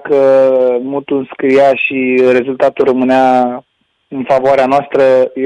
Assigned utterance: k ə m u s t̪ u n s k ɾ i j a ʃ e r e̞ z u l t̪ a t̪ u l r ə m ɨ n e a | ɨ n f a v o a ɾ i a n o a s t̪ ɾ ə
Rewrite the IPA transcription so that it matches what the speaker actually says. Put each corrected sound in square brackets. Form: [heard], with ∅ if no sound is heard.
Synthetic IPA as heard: k ə m u [∅] t̪ u n s k ɾ i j a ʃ [i] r e̞ z u l t̪ a t̪ u l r ə m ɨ n e a | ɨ n f a v o a ɾ [e] a n o a s t̪ ɾ ə